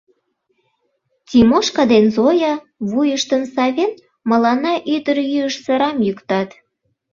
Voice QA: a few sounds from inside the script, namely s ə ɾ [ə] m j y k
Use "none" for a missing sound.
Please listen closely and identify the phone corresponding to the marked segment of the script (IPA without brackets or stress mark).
ɑ